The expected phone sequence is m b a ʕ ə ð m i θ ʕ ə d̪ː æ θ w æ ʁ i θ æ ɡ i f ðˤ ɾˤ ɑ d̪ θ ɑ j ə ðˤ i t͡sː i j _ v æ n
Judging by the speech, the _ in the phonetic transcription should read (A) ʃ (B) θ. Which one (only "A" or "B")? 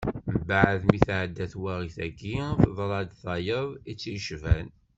A